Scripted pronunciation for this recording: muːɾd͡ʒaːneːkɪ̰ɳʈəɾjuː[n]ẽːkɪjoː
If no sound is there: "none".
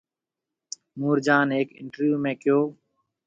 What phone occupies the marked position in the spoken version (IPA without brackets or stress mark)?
m